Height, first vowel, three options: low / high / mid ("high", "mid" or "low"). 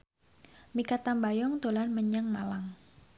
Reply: high